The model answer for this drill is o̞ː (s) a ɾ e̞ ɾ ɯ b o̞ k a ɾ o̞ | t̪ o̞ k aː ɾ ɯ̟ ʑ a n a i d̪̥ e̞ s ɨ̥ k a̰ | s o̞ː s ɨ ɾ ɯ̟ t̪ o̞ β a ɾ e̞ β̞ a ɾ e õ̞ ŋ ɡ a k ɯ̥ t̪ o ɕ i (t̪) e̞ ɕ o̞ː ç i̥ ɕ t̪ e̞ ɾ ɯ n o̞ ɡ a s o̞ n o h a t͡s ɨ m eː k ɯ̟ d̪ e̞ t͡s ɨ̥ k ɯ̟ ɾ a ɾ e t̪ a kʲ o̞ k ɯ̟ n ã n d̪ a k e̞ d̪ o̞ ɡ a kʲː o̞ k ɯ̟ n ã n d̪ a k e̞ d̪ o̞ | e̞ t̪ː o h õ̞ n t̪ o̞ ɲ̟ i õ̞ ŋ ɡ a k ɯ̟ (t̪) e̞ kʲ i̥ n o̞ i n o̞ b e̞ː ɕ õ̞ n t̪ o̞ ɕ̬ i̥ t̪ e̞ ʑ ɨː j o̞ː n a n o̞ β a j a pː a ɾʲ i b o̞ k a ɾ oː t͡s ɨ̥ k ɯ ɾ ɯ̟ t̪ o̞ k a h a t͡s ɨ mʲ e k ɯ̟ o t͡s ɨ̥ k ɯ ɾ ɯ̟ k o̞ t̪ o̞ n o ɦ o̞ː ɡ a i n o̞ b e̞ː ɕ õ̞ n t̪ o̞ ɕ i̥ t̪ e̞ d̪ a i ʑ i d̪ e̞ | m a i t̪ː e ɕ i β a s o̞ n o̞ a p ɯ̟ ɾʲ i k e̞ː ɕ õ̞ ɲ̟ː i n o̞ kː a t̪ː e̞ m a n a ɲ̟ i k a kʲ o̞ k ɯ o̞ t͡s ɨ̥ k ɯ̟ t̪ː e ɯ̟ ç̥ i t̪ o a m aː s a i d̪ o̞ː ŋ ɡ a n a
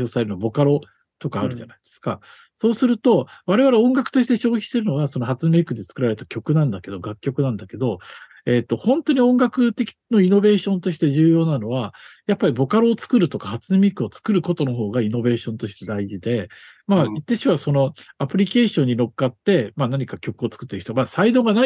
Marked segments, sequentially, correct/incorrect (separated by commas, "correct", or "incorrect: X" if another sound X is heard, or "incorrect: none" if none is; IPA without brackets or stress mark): correct, correct, correct